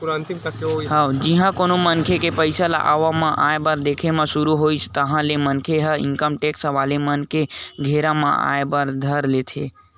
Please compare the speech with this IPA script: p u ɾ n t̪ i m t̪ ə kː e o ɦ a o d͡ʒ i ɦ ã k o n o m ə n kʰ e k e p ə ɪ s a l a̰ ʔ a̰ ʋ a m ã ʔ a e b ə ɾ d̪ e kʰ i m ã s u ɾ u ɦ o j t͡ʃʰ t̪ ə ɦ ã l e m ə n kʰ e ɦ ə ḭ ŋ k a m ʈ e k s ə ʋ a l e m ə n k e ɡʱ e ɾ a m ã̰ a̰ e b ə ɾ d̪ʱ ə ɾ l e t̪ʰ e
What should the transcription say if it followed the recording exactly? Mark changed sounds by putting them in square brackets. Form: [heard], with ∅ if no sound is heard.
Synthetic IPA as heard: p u ɾ n t̪ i m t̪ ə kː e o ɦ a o d͡ʒ i ɦ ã k o n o m ə n kʰ e k e p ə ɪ s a l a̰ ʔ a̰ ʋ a m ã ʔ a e b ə ɾ d̪ e kʰ [e] m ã s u ɾ u ɦ o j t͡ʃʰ t̪ ə ɦ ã l e m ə n kʰ e ɦ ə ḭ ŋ k [ə] m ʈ e k s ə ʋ a l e m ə n k e ɡʱ e ɾ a m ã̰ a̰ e b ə ɾ d̪ʱ ə ɾ l e t̪ʰ e